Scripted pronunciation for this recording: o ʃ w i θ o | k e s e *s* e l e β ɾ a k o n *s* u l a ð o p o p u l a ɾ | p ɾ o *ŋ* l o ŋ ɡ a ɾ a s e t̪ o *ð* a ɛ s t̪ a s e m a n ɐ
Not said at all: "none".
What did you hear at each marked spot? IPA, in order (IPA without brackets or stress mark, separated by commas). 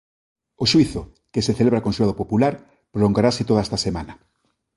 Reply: θ, s, none, ð